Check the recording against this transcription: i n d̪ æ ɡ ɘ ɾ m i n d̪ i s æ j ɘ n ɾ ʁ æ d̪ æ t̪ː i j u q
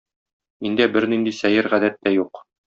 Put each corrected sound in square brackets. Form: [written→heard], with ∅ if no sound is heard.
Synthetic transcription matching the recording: i n d̪ æ [ɡ→b] ɘ ɾ [m→n] i n d̪ i s æ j ɘ [n→∅] ɾ ʁ æ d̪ æ t̪ː [i→æ] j u q